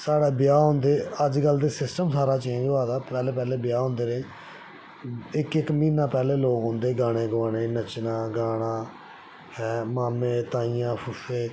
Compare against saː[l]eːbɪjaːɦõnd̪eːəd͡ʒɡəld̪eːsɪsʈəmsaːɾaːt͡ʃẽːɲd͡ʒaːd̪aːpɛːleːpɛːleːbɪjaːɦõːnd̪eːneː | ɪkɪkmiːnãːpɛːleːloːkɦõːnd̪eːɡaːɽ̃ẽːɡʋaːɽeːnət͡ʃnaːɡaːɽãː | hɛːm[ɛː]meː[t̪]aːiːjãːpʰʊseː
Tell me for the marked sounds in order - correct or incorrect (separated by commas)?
incorrect, incorrect, correct